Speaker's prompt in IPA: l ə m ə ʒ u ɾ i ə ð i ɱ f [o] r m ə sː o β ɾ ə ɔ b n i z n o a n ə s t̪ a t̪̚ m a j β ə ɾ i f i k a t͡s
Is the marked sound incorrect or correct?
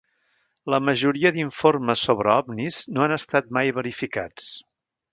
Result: correct